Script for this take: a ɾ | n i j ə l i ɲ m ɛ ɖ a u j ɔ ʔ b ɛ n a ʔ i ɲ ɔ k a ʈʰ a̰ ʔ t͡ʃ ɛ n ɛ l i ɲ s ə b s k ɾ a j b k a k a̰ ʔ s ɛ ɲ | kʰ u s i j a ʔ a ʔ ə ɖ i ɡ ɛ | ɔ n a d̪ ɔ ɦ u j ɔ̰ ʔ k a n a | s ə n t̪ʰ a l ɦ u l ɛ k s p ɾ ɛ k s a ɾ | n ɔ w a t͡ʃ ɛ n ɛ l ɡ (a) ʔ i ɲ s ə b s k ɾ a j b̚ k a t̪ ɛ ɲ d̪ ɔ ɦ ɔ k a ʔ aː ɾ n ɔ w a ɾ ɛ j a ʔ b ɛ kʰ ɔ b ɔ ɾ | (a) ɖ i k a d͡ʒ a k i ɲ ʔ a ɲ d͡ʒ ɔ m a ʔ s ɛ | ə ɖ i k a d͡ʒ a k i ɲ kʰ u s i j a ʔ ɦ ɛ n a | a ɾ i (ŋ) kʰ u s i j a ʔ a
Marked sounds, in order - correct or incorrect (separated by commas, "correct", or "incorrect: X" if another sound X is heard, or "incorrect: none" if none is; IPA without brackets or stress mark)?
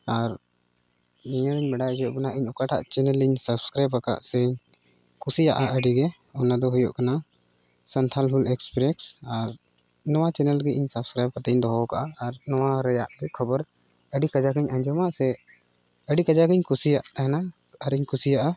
incorrect: ɛ, incorrect: ə, incorrect: ɲ